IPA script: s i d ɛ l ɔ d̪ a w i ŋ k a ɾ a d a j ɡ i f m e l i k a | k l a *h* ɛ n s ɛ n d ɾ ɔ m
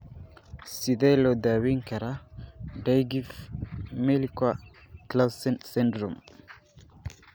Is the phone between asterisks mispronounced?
yes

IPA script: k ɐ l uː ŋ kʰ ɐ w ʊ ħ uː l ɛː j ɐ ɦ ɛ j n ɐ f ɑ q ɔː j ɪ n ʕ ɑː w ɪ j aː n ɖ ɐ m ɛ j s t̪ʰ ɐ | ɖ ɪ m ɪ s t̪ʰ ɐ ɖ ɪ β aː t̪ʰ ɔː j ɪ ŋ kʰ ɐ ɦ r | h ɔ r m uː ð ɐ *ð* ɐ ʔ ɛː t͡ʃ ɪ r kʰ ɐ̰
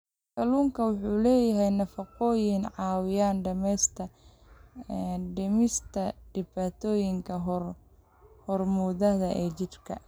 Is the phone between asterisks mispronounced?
no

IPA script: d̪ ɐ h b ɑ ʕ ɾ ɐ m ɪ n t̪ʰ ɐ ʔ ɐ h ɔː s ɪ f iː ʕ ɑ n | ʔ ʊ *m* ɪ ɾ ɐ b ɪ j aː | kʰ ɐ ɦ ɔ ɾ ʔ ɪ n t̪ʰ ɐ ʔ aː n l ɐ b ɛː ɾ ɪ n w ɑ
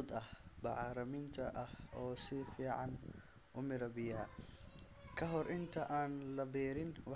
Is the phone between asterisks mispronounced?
no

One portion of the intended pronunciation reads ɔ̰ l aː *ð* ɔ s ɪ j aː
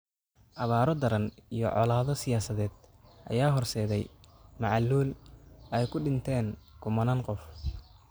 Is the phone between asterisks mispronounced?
no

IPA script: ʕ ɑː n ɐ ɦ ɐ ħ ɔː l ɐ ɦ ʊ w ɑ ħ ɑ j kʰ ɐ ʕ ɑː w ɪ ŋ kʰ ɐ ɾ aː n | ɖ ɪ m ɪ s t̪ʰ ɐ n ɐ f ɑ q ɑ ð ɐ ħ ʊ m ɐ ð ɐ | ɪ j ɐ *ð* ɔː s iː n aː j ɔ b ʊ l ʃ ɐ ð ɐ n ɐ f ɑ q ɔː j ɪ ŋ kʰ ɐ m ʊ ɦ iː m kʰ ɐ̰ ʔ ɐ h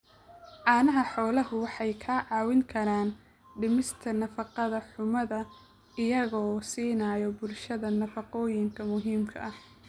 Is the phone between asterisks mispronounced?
yes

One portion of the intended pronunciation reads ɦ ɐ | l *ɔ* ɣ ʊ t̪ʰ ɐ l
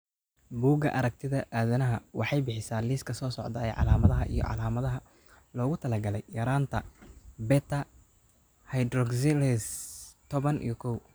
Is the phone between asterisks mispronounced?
yes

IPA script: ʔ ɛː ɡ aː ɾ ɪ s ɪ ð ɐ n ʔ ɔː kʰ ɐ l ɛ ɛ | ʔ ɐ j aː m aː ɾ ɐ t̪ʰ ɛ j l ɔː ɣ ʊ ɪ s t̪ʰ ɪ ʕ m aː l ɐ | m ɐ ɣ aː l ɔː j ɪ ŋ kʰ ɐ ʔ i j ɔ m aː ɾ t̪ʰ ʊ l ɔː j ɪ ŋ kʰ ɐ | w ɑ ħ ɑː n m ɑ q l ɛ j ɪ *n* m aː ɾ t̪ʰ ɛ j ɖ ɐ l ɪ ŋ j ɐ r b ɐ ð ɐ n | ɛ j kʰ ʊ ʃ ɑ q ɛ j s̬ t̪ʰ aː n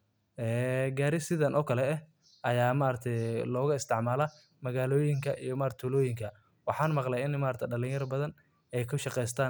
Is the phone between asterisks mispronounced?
no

